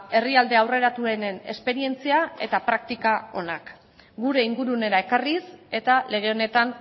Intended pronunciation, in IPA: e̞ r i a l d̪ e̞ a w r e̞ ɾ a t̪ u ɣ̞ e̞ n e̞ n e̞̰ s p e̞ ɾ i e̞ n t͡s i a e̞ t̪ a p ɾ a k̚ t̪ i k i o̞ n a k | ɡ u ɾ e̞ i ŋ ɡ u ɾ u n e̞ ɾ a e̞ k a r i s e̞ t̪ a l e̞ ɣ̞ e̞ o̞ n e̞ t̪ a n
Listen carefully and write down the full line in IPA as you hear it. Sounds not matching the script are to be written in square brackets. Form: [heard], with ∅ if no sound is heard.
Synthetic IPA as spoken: e̞ r i a l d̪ e̞ a w r e̞ ɾ a t̪ u [∅] e̞ n e̞ n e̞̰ s p e̞ ɾ i e̞ n t͡s i a e̞ t̪ a p ɾ a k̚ t̪ i k [a] o̞ n a k | ɡ u ɾ e̞ i ŋ ɡ u ɾ u n e̞ ɾ a e̞ k a r i s e̞ t̪ a l e̞ ɣ̞ e̞ o̞ n e̞ t̪ a n